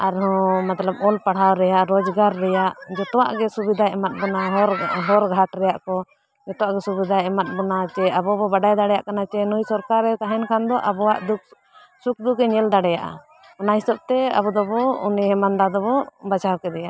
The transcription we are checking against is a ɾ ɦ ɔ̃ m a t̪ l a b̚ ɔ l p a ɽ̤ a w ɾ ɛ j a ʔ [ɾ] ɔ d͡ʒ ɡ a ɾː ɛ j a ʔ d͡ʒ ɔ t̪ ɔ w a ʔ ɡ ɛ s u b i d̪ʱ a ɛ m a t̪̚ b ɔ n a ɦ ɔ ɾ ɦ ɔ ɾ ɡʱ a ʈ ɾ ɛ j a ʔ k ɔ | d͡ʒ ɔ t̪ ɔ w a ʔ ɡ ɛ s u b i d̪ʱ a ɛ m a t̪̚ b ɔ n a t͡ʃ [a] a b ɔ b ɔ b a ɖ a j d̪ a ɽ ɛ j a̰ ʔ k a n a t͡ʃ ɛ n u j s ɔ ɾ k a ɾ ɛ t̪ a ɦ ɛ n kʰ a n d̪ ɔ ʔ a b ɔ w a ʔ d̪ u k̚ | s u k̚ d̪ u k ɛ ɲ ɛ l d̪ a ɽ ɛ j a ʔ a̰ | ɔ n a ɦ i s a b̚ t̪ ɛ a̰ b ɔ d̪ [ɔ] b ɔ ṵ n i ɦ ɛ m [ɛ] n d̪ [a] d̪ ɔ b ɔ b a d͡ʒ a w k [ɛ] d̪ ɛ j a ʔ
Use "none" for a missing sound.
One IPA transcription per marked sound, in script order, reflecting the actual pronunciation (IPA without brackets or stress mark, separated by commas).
ɾ, ɛ, ɔ, a, a, ɛ